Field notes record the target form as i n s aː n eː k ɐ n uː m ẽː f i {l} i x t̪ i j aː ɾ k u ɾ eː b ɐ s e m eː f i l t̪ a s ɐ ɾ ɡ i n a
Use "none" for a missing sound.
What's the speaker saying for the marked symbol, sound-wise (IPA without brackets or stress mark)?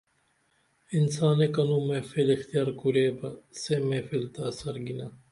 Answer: l